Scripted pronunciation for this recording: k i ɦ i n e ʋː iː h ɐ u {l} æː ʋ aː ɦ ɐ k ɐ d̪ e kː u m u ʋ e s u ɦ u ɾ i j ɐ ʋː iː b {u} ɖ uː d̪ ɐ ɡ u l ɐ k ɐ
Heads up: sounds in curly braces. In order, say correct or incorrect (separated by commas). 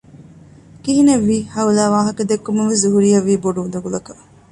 correct, incorrect